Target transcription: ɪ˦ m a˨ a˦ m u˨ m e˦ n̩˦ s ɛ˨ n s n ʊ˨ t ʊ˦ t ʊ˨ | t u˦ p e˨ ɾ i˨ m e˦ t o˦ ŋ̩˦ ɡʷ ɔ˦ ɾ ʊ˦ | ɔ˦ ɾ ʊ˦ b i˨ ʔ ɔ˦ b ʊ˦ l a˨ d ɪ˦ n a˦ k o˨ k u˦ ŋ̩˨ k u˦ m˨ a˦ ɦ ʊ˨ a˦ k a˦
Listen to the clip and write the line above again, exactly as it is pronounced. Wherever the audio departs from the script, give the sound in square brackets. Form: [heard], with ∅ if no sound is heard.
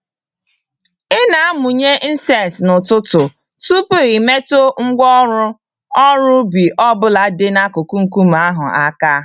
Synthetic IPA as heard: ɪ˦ [n] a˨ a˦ m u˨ [ɲ] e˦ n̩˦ s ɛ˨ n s n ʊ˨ t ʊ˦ t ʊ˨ | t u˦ p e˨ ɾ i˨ m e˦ t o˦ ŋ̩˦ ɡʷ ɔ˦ ɾ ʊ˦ | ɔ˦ ɾ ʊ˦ b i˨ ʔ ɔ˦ b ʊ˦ l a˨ d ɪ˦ n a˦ k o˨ k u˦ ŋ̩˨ k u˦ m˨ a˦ ɦ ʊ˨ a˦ k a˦